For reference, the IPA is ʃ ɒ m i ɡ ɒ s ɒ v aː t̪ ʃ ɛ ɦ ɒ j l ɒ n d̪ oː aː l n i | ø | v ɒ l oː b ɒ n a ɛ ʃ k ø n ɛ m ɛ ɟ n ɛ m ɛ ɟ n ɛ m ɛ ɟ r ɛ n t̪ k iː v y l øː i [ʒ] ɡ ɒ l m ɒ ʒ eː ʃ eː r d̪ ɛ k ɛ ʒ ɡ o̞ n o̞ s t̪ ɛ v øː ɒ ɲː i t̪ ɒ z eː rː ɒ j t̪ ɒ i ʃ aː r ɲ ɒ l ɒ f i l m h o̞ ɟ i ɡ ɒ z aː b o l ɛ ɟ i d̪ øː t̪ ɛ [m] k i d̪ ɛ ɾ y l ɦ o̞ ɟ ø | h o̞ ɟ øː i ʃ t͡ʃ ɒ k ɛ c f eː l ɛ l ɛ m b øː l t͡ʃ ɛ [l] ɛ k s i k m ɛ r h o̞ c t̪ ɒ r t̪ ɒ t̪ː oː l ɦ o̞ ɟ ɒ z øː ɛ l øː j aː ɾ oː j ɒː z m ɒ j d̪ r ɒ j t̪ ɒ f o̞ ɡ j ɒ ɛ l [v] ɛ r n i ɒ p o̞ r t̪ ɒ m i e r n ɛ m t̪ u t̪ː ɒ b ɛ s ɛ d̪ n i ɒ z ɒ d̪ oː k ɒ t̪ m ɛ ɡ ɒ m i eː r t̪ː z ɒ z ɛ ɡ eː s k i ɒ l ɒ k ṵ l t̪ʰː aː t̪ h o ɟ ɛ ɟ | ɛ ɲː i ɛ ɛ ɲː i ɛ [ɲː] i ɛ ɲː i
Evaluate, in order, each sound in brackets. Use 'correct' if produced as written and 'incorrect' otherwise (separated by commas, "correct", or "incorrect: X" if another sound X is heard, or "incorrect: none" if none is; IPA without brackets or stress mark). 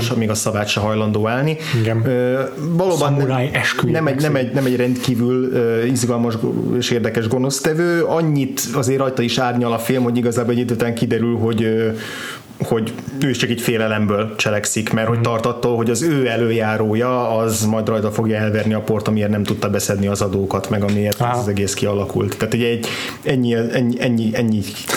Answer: incorrect: z, incorrect: ŋ, correct, correct, correct